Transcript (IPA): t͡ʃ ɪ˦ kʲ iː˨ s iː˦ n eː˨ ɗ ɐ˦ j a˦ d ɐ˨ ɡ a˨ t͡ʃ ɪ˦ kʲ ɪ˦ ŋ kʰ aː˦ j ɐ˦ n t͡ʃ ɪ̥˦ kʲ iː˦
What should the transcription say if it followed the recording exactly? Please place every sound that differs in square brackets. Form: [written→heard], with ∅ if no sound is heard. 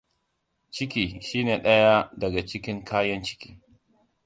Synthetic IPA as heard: t͡ʃ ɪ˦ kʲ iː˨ [s→ʃ] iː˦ n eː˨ ɗ ɐ˦ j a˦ d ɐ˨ ɡ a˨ t͡ʃ ɪ˦ kʲ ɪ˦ ŋ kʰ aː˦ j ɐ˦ n t͡ʃ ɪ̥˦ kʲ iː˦